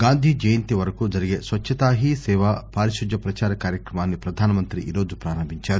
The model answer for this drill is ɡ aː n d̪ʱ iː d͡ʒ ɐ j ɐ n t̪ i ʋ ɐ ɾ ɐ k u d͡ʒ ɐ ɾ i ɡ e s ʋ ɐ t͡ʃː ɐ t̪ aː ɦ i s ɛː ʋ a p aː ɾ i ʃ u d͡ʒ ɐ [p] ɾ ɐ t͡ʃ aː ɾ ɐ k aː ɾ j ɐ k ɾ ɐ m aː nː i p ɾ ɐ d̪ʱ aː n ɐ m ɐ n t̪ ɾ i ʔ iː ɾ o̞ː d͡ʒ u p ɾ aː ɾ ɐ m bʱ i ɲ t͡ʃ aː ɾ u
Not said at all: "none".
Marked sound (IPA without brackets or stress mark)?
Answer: p